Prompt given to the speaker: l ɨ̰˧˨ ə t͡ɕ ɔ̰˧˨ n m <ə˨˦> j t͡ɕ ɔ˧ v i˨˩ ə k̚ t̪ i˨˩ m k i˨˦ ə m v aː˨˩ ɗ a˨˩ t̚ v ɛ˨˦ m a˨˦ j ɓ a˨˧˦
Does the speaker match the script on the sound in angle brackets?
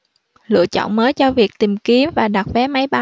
no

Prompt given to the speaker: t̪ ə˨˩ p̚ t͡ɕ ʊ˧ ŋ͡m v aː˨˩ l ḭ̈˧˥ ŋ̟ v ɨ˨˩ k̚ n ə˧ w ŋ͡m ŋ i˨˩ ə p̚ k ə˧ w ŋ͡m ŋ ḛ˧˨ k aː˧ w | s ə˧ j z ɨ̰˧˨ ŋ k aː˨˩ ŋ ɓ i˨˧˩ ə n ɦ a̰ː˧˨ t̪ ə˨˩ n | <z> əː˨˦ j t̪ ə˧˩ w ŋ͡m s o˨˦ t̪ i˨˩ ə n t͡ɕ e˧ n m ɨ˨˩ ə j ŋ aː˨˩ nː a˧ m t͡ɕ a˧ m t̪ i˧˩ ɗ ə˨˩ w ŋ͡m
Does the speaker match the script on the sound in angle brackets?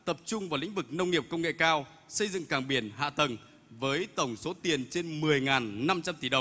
no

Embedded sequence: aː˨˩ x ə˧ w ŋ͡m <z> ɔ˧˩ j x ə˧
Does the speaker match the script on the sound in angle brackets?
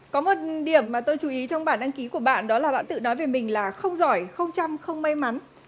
yes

